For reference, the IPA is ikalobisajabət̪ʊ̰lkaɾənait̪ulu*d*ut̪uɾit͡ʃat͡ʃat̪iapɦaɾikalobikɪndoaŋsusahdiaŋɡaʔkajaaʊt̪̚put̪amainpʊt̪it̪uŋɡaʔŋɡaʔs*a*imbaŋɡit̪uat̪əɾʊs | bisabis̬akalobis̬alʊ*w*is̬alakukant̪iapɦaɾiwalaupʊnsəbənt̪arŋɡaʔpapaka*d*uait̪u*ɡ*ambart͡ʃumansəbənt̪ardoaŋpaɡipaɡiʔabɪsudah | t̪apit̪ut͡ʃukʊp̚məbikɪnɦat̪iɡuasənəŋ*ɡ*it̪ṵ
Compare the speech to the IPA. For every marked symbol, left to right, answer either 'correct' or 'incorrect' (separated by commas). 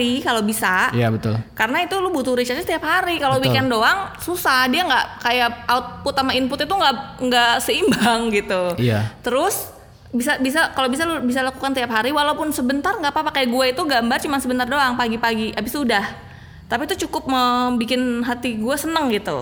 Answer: incorrect, incorrect, incorrect, incorrect, correct, correct